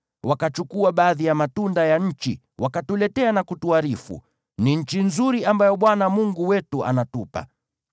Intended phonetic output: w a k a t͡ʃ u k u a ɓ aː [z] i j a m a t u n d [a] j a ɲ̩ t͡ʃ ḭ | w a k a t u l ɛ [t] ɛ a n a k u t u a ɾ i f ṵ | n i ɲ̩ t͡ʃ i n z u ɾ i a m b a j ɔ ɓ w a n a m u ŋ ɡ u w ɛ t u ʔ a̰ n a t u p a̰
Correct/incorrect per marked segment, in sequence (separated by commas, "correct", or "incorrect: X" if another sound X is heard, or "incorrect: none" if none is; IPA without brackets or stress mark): incorrect: ð, correct, correct